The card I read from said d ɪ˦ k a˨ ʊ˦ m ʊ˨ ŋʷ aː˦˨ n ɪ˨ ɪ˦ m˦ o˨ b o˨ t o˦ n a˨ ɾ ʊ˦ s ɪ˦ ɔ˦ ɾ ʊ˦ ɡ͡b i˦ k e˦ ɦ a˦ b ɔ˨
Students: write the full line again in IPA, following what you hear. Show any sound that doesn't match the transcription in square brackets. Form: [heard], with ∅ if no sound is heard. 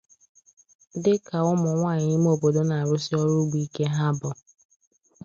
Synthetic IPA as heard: d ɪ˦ k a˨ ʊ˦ m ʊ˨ ŋʷ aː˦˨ [ɲ] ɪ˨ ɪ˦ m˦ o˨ b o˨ [d] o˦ n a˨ ɾ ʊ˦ s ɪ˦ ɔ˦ ɾ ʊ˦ ɡ͡b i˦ k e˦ ɦ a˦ b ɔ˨

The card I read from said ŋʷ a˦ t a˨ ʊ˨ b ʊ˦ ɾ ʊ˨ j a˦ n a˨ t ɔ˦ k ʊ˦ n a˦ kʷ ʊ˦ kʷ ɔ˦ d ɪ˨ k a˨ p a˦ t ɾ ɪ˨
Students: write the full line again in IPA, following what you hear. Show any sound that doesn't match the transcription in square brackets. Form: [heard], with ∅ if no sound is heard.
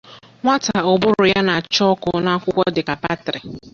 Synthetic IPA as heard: ŋʷ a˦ t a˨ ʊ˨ b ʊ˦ ɾ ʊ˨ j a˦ n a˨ [t͡ʃ] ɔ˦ k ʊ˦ n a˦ kʷ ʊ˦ kʷ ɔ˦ d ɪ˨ k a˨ p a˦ t ɾ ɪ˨

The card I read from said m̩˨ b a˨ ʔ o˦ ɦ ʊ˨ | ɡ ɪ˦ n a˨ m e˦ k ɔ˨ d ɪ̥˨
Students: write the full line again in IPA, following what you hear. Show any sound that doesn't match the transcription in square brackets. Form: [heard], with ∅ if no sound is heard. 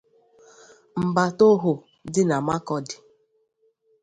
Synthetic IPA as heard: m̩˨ b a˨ [t] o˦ ɦ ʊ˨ | [d] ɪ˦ n a˨ m [a˦] k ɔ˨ d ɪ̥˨

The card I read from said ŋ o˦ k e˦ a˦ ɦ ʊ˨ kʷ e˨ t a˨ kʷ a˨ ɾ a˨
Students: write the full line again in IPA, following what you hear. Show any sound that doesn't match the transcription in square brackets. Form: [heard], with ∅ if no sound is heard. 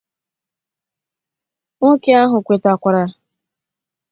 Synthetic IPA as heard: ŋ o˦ k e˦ a˦ ɦ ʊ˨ kʷ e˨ t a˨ kʷ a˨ ɾ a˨

